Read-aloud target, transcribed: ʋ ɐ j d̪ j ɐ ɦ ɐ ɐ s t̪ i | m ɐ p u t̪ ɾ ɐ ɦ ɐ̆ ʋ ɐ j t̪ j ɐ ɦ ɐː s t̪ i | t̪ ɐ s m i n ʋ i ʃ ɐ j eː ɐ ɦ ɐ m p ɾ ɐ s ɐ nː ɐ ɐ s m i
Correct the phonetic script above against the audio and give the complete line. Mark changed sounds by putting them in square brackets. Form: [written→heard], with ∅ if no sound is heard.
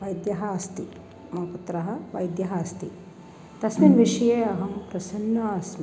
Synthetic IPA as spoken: ʋ ɐ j d̪ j ɐ ɦ ɐ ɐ s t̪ i | m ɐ p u t̪ ɾ ɐ ɦ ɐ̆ ʋ ɐ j [t̪→d̪] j ɐ ɦ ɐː s t̪ i | t̪ ɐ s m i n ʋ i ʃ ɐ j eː ɐ ɦ ɐ m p ɾ ɐ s ɐ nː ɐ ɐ s m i